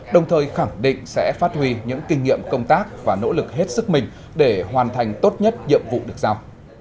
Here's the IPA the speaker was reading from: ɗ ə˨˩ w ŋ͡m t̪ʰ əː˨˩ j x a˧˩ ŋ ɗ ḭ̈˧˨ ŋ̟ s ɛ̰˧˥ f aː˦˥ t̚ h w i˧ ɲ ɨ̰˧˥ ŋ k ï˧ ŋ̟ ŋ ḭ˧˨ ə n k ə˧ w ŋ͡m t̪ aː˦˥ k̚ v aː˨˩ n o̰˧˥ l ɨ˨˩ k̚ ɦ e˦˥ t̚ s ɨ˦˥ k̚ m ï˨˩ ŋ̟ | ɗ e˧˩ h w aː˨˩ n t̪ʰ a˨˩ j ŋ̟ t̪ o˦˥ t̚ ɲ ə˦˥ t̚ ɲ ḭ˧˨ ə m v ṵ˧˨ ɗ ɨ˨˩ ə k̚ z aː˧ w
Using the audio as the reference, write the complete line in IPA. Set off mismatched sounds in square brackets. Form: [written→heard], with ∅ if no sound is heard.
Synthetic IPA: ɗ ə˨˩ w ŋ͡m t̪ʰ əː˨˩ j x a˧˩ ŋ ɗ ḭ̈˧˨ ŋ̟ s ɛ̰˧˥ f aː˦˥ t̚ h w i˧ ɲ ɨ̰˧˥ ŋ k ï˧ ŋ̟ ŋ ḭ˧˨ ə [n→m] k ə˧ w ŋ͡m t̪ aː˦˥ k̚ v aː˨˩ n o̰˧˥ l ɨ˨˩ k̚ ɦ e˦˥ t̚ s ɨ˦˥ k̚ m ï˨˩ ŋ̟ | ɗ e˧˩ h w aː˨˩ n t̪ʰ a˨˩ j ŋ̟ t̪ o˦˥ t̚ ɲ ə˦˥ t̚ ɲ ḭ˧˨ ə m v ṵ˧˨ ɗ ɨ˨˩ ə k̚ z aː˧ w